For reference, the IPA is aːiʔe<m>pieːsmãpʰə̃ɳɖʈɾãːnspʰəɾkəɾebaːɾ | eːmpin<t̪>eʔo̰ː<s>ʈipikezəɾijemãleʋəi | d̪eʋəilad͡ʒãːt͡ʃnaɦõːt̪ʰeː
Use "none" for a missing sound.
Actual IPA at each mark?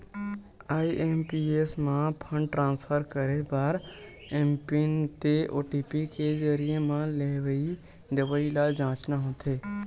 m, t̪, none

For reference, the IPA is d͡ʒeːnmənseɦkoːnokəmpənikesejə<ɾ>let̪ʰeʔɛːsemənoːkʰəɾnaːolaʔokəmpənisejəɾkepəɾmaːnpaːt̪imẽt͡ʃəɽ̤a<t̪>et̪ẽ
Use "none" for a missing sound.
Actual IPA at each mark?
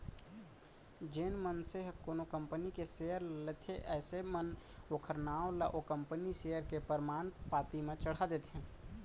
ɾ, d̪

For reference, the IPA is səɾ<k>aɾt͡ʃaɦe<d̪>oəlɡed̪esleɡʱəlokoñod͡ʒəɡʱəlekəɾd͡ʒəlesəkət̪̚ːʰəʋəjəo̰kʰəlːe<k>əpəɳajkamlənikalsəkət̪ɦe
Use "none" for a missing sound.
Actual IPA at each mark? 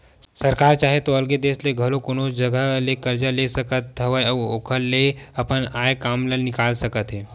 k, t̪, none

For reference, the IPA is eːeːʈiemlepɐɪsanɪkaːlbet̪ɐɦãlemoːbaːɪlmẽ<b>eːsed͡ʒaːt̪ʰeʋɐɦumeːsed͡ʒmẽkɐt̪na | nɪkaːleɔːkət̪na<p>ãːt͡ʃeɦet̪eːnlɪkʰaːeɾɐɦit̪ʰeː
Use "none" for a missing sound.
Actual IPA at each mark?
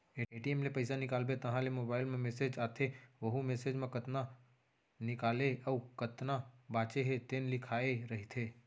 m, b

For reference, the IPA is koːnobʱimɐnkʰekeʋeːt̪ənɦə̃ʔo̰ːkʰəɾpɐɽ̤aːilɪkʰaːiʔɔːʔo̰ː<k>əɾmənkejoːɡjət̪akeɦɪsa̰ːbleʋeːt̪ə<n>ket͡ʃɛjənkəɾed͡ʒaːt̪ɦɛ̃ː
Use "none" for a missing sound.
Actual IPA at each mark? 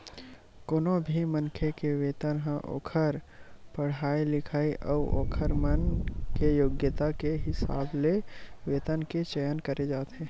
kʰ, n

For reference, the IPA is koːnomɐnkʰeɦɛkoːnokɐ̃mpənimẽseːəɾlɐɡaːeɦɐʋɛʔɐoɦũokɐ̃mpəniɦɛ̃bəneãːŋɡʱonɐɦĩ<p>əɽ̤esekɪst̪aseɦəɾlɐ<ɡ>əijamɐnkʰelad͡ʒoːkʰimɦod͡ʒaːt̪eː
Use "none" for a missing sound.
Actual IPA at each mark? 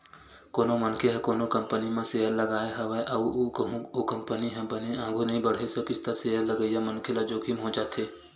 b, ɡ

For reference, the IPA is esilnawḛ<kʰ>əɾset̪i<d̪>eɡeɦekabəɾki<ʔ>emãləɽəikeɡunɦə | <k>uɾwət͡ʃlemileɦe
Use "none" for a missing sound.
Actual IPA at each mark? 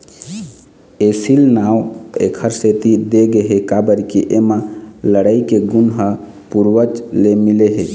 kʰ, d̪, ʔ, p

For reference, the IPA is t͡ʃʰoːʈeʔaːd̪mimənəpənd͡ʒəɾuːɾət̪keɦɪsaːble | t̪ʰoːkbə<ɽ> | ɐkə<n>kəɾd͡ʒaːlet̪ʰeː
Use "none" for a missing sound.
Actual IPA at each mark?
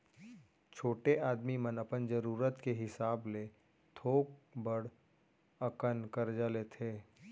ɽ, n

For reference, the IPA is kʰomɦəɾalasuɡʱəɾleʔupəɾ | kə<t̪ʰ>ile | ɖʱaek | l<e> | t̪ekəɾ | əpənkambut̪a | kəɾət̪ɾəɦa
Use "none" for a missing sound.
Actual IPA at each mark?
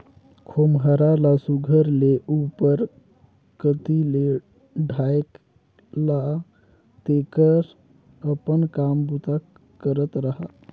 t̪, a

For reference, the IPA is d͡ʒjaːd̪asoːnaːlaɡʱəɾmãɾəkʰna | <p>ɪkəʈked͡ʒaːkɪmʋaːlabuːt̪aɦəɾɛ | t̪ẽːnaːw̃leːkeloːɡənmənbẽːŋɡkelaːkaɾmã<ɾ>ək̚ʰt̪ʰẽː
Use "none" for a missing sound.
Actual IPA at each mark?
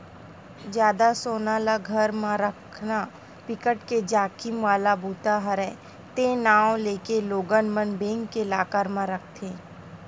p, ɾ

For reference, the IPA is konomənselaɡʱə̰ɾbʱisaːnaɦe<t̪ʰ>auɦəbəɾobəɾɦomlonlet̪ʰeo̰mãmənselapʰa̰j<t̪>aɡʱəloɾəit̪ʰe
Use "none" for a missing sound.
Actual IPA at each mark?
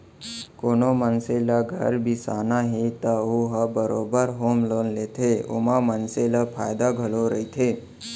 t̪, d̪

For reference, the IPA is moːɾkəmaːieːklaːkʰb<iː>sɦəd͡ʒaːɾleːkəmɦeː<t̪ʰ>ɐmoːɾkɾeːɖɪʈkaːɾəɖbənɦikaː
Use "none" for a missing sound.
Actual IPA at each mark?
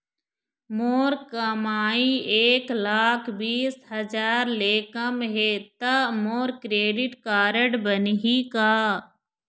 iː, t̪

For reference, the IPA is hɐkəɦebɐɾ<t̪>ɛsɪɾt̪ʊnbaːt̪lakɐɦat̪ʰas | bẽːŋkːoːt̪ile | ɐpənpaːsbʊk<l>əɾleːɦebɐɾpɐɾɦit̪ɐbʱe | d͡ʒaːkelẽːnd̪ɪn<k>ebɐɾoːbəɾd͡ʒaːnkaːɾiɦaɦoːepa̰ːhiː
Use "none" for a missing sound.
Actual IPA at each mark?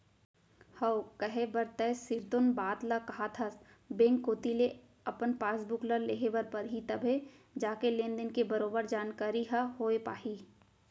t̪, l, k

